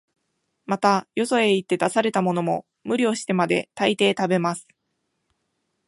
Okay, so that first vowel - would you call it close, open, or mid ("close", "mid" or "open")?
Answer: open